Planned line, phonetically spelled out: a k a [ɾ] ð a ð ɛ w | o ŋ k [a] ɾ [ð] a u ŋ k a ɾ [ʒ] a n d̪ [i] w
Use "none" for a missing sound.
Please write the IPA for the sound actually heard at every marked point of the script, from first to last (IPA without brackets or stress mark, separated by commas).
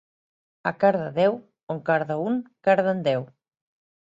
ɾ, a, ð, ð, ɛ